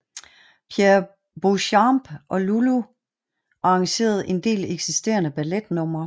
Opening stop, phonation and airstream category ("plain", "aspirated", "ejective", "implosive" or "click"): aspirated